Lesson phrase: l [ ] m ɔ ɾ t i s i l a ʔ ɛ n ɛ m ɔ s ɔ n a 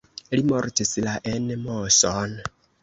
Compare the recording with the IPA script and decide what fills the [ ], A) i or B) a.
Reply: A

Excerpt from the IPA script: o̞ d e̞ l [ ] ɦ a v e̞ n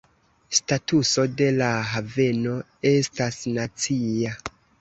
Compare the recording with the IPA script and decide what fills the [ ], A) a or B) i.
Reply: A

